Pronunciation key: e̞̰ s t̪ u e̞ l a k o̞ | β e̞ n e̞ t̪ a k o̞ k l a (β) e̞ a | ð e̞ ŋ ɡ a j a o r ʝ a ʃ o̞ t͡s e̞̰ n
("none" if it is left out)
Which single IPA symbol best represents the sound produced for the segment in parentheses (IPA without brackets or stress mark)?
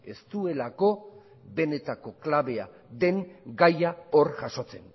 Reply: β